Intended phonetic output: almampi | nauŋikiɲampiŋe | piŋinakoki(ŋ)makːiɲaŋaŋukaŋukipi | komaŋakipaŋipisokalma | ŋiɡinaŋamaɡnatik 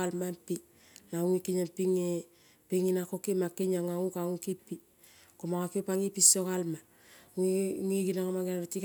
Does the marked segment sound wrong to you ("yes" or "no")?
yes